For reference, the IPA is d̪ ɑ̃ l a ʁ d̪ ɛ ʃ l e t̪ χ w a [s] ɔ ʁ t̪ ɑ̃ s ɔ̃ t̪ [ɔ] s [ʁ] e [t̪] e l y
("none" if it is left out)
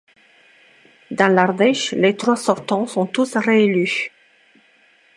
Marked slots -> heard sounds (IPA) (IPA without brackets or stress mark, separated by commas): s, u, ʁ, none